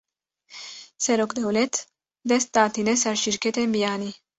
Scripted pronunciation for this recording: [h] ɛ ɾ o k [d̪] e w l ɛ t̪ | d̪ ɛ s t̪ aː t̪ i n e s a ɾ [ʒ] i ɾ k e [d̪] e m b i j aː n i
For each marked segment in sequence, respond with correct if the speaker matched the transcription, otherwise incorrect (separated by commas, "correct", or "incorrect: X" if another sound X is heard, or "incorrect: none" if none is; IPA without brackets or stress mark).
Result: incorrect: s, correct, incorrect: ʃ, incorrect: t̪